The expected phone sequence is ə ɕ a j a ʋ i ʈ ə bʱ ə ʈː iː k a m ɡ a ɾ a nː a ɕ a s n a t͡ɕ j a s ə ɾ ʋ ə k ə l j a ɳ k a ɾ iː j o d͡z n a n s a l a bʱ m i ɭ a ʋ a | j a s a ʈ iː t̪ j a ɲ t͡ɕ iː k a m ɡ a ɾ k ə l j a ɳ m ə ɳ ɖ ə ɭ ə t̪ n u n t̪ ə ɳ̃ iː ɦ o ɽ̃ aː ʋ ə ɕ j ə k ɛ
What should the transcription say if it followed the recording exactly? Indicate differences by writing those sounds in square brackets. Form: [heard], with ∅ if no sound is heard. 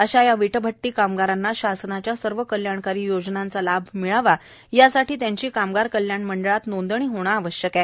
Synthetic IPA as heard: ə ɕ a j a ʋ i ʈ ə bʱ ə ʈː iː k a m ɡ a ɾ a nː a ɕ a s n a t͡ɕ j a s ə ɾ ʋ ə k ə l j a ɳ k a ɾ iː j o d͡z n a n [t͡s] a l a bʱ m i ɭ a ʋ a | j a s a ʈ iː t̪ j a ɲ t͡ɕ iː k a m ɡ a ɾ k ə l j a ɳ m ə ɳ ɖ ə ɭ [a] t̪ n [o] n [d̪] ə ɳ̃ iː ɦ o ɽ̃ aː ʋ ə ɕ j ə k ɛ